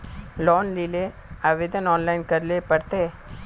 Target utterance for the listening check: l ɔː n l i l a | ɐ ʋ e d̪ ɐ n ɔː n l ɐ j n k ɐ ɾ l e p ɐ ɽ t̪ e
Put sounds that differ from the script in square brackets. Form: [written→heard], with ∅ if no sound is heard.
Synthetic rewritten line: l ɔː n l i l [a→e] | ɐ ʋ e d̪ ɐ n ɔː n l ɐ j n k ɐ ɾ l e p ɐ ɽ t̪ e